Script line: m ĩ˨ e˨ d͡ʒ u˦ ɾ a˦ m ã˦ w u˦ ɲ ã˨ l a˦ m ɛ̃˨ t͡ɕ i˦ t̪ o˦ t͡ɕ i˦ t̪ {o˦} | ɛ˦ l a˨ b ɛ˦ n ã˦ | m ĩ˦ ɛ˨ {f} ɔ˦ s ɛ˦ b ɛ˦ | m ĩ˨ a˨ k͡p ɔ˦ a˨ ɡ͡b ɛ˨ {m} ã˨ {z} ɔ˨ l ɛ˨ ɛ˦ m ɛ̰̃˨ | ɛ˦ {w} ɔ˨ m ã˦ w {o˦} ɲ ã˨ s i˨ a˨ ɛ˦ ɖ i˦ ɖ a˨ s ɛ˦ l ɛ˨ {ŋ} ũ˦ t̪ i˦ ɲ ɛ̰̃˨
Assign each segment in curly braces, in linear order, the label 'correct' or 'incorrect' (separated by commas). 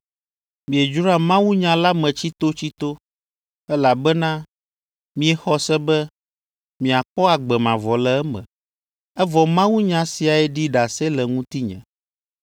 correct, incorrect, correct, incorrect, incorrect, incorrect, correct